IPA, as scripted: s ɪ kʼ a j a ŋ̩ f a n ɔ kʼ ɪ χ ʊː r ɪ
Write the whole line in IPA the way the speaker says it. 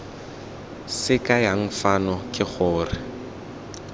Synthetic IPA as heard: s ɪ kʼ a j a ŋ̩ f a n ɔ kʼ ɪ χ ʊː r ɪ